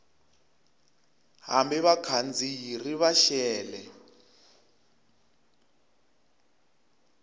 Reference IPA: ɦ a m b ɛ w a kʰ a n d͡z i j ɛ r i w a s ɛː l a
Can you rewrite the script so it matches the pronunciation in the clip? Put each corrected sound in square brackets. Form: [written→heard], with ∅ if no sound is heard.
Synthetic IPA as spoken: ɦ a m b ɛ [w→β] a kʰ a n d͡z i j [ɛ→i] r i [w→β] a [s→ʃ] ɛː l [a→ɛ]